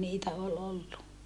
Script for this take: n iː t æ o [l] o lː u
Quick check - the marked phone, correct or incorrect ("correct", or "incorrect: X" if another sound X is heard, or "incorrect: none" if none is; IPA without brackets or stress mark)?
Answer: correct